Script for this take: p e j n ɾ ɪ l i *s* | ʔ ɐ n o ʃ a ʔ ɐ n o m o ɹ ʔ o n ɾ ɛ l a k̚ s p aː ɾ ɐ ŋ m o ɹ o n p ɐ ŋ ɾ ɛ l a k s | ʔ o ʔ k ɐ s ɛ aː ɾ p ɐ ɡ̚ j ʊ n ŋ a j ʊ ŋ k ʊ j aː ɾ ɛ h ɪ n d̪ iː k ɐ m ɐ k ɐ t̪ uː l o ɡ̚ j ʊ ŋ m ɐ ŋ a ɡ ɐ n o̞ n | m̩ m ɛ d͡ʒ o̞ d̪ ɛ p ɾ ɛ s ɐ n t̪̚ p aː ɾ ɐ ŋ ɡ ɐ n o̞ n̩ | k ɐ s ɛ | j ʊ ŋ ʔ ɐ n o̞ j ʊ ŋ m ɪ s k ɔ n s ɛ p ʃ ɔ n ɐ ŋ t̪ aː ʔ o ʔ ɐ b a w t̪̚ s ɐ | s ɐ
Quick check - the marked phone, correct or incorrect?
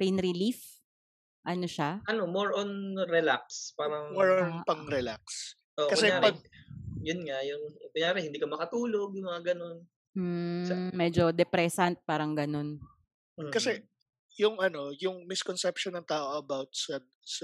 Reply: incorrect